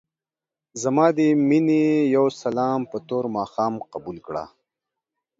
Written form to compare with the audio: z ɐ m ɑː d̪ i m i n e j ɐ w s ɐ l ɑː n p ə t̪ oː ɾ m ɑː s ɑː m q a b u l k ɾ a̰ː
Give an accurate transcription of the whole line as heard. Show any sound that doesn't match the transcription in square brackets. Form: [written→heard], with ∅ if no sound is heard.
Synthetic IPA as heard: z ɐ m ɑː d̪ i m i n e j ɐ w s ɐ l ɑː [n→m] p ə t̪ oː ɾ m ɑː [s→x] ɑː m q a b u l k [ɾ→ɽ] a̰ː